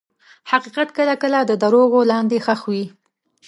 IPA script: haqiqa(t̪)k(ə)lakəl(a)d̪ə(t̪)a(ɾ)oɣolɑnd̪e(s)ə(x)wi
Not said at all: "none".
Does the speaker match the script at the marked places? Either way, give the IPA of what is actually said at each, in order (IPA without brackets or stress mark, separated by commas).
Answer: t̪, ə, a, d̪, ɾ, x, x